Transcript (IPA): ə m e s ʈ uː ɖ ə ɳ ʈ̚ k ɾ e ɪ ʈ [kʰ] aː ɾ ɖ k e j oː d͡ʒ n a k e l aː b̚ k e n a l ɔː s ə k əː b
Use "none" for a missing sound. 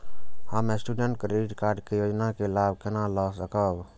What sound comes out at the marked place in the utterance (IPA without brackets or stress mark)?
k